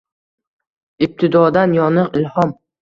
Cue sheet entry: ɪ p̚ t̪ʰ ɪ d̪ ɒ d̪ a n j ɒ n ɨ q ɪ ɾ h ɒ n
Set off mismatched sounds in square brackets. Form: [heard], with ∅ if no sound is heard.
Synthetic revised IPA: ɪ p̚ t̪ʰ ɪ d̪ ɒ d̪ a n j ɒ n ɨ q ɪ [l] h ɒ [m]